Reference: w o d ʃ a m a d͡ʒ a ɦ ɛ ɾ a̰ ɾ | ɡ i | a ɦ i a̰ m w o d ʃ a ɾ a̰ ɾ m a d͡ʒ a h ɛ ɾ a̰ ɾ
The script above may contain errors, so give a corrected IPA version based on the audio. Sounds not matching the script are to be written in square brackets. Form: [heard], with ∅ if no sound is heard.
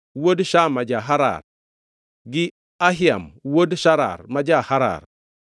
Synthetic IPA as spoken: w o d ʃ a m a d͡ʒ a ɦ [a] ɾ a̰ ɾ | ɡ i | a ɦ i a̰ m w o d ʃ a ɾ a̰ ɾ m a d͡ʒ a h [a] ɾ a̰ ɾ